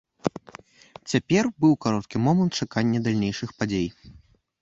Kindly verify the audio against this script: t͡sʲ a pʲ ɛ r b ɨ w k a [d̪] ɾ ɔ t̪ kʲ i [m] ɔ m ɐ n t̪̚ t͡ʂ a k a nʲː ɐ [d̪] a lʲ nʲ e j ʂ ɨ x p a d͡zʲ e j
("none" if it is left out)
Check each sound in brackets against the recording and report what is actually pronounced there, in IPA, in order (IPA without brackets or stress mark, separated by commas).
none, m, d̪